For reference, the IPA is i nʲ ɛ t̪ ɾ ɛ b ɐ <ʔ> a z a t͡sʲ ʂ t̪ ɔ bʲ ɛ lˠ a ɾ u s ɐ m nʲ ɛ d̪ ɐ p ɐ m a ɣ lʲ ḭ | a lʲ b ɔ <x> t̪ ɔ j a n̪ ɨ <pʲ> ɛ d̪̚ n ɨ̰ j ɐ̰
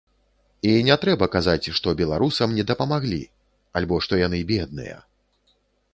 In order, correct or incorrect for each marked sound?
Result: incorrect: k, incorrect: ʂ, incorrect: bʲ

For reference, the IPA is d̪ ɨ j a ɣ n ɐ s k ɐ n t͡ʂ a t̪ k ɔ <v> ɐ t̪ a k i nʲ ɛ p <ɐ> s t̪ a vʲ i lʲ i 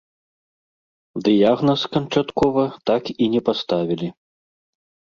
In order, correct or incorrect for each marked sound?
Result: correct, incorrect: a

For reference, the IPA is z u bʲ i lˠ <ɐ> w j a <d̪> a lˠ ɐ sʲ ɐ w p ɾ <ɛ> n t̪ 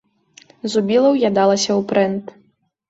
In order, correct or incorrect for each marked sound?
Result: correct, correct, correct

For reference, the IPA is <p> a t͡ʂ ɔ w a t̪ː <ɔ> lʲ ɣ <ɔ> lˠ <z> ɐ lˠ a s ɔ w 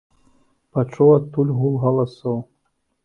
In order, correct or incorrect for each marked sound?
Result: correct, incorrect: u, incorrect: u, incorrect: ɣ

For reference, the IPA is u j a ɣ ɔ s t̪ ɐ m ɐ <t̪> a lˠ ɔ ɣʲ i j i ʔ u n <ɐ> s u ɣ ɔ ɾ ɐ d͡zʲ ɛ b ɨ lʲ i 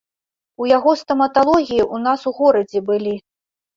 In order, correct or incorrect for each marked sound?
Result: correct, incorrect: a

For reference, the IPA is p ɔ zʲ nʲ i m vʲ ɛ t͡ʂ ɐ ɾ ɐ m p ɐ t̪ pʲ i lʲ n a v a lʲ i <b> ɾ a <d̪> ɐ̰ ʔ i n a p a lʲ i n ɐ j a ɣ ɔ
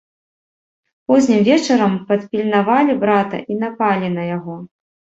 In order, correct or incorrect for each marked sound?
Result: correct, incorrect: t̪

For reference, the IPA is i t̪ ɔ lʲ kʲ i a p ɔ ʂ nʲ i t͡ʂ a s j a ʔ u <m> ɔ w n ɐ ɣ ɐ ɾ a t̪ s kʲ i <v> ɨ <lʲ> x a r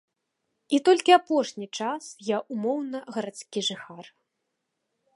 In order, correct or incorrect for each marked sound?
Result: correct, incorrect: ʐ, incorrect: none

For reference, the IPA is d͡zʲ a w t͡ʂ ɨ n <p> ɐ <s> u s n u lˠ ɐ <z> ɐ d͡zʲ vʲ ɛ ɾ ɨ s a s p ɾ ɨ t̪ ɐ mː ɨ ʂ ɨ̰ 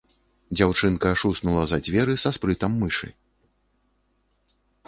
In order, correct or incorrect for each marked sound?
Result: incorrect: k, incorrect: ʂ, correct

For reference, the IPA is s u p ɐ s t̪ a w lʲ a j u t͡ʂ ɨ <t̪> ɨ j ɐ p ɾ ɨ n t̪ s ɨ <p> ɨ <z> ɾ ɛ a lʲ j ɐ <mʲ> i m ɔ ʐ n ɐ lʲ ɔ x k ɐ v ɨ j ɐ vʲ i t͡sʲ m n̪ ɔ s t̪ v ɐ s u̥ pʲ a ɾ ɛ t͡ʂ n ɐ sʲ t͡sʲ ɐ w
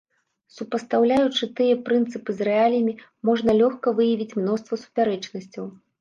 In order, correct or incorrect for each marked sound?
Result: correct, correct, correct, correct

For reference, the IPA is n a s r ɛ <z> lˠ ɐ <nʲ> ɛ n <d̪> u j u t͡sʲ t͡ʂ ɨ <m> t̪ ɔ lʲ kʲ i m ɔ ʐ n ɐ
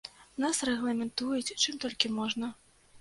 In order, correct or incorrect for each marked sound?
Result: incorrect: ɣ, incorrect: mʲ, incorrect: t̪, correct

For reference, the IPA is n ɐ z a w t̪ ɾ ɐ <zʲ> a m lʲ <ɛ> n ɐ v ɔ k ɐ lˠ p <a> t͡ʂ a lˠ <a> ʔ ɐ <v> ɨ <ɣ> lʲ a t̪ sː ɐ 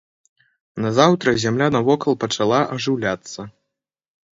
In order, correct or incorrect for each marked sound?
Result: correct, incorrect: a, incorrect: ɐ, correct, incorrect: ʐ, incorrect: w

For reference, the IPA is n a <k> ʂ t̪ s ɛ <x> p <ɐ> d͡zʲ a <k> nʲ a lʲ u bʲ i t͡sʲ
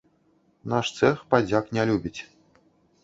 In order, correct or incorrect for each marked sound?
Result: incorrect: none, correct, incorrect: a, correct

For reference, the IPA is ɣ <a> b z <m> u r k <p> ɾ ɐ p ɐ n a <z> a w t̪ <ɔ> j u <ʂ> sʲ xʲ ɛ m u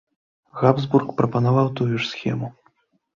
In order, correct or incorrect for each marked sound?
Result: correct, incorrect: b, correct, incorrect: v, incorrect: u, correct

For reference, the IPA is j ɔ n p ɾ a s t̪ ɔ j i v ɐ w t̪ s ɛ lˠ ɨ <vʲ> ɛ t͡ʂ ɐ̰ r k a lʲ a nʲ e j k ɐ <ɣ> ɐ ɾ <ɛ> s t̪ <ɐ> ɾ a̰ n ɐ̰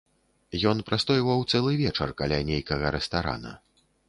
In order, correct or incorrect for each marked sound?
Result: correct, correct, correct, incorrect: a

